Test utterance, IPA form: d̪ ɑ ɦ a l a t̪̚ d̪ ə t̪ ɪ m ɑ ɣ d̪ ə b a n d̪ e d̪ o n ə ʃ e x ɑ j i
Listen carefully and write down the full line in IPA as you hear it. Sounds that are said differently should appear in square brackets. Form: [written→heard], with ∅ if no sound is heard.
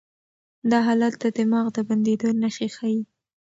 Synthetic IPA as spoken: d̪ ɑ ɦ [a→ɑ] l a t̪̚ d̪ ə [t̪→d̪] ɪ m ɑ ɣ d̪ ə b a n d̪ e d̪ o n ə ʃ e x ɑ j i